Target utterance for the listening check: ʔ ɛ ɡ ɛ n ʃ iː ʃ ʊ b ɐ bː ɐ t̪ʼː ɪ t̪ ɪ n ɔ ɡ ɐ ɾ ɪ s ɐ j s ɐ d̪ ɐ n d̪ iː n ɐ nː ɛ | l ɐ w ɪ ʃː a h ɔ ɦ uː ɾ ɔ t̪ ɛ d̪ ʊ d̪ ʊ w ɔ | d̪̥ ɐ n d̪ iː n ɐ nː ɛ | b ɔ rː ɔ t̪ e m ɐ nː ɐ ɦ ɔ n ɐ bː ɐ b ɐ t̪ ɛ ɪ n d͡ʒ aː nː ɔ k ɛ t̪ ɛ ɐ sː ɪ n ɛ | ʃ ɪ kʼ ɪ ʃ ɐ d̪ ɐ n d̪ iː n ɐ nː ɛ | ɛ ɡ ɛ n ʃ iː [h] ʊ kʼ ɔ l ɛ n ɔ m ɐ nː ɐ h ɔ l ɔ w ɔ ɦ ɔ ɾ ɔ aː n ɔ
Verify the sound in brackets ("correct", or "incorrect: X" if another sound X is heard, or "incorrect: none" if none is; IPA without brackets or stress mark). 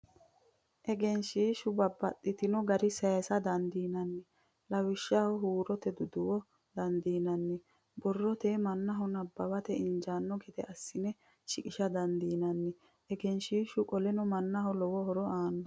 incorrect: ʃ